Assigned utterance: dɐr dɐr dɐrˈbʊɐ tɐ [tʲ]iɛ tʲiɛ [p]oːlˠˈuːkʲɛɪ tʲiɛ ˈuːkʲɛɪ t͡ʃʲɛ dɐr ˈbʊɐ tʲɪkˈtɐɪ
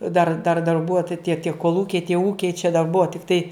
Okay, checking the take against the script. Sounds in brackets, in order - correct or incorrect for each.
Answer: correct, incorrect: k

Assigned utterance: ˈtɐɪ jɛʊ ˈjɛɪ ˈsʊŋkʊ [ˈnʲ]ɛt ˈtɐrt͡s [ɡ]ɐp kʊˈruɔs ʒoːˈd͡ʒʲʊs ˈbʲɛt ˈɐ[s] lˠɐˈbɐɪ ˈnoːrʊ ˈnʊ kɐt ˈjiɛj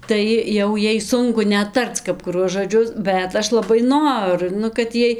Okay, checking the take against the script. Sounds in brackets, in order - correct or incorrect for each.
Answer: correct, incorrect: k, incorrect: ʃ

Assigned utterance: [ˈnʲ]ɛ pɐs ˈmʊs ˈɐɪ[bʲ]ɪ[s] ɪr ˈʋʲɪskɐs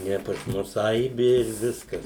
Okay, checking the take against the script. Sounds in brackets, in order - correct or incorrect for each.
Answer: correct, correct, incorrect: none

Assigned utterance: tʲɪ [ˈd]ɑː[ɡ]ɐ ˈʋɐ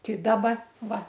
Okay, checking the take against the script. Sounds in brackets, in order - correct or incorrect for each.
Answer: correct, incorrect: b

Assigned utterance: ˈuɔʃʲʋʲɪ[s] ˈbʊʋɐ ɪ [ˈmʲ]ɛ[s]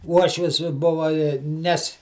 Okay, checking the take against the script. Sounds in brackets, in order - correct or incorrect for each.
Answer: correct, incorrect: nʲ, correct

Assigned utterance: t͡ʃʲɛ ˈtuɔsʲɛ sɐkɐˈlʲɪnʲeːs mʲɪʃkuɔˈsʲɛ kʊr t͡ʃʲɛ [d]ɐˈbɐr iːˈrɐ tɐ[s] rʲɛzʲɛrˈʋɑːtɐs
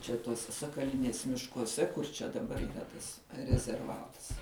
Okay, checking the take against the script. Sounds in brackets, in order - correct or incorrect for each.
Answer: correct, correct

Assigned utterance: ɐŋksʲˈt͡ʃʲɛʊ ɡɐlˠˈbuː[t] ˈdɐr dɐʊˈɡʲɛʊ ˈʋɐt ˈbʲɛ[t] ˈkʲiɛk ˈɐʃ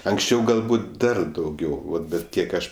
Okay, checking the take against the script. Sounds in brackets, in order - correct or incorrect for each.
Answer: correct, correct

